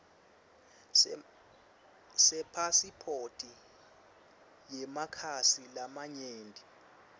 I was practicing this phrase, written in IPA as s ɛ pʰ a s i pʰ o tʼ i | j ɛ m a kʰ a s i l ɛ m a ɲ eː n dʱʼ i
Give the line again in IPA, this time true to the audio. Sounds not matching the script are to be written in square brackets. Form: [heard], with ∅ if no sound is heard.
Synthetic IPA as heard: s ɛ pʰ a s i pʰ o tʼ i | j ɛ m a kʰ a s i l [a] m a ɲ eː n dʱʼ i